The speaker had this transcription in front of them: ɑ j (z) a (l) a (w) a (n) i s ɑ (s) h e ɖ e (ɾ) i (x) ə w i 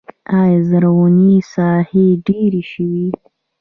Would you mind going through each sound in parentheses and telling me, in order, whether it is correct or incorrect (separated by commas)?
correct, incorrect, correct, correct, incorrect, correct, incorrect